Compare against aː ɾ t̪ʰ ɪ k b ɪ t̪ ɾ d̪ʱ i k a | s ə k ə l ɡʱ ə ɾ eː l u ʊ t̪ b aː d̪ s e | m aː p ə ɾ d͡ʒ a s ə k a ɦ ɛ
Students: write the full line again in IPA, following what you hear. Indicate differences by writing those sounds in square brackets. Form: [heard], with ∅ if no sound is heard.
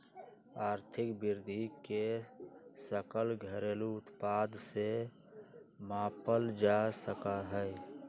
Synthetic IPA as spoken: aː ɾ t̪ʰ ɪ k b ɪ [∅] ɾ d̪ʱ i k [e] | s ə k ə l ɡʱ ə ɾ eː l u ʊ t̪ [p] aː d̪ s e | m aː p ə [l] d͡ʒ a s ə k a ɦ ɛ

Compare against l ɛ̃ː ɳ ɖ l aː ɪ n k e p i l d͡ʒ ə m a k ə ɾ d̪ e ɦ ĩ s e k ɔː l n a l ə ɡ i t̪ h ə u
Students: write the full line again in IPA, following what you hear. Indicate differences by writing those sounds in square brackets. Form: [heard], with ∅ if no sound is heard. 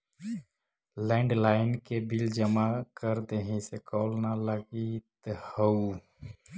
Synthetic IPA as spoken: l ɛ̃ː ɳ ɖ l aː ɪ n k e [b] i l d͡ʒ ə m a k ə ɾ d̪ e ɦ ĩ s e k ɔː l n a l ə ɡ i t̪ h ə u

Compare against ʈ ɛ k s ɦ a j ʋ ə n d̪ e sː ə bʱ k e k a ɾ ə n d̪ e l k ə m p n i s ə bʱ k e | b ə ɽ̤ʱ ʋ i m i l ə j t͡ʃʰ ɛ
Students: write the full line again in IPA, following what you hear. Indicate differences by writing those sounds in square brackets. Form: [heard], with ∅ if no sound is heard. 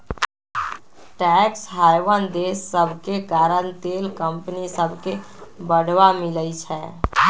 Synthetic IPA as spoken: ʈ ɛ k s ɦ a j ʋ ə n d̪ e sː ə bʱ k e k a ɾ ə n [t̪] e l k ə m p n i s ə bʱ k e | b ə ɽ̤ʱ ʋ [a] m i l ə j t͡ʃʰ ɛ

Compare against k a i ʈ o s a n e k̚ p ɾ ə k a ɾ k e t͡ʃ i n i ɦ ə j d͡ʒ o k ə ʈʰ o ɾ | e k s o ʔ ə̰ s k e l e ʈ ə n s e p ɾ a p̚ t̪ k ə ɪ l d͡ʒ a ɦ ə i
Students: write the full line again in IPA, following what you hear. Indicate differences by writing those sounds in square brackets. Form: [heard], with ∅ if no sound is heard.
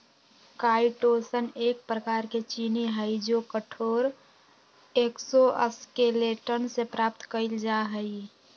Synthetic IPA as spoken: k a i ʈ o s [ə] n e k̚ p ɾ ə k a ɾ k e t͡ʃ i n i ɦ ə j d͡ʒ o k ə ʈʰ o ɾ | e k s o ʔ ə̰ s k e l e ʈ ə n s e p ɾ a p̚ t̪ k ə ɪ l d͡ʒ a ɦ ə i

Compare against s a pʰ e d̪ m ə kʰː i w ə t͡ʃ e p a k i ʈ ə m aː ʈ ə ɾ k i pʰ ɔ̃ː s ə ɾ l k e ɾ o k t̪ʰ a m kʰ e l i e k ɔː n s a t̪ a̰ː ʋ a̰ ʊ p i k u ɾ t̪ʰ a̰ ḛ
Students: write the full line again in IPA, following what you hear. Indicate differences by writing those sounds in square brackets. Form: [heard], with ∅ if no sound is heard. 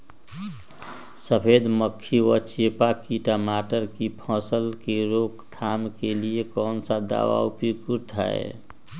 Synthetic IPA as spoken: s [ə] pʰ e d̪ m ə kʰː i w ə t͡ʃ e p a k i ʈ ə m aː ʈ ə ɾ k i pʰ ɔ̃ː s ə [∅] l k e ɾ o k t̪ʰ a m [k] e l i e k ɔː n s a [d̪] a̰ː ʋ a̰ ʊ p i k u ɾ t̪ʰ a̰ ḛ

